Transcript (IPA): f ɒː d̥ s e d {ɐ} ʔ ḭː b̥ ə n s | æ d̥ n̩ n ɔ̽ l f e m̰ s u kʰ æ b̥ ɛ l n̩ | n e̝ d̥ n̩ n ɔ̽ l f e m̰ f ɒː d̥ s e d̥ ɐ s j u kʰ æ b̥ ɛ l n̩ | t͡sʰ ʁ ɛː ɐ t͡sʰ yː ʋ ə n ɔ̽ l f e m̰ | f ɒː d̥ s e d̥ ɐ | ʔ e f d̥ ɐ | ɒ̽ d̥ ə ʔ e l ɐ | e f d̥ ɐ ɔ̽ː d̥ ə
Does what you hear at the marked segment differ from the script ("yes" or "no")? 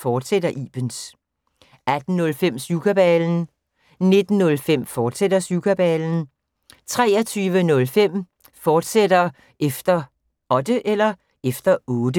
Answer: no